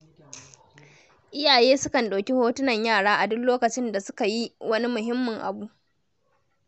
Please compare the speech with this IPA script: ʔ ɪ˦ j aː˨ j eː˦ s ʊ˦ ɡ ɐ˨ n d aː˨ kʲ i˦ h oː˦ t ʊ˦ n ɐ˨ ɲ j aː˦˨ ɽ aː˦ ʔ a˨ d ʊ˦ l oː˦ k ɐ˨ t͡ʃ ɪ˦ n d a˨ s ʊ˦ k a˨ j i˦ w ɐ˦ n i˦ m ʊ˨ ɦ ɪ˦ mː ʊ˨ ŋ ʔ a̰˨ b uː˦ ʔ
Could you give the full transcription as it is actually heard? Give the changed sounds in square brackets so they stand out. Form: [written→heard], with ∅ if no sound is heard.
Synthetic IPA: ʔ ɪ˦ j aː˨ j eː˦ s ʊ˦ [ɡ→k] ɐ˨ n [d→ɗ] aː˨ kʲ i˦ h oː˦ t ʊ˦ n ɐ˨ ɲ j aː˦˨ ɽ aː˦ ʔ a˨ d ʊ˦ l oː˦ k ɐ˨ t͡ʃ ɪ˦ n d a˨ s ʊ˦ k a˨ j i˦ w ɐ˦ n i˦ m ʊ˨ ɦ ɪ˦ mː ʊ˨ ŋ ʔ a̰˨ b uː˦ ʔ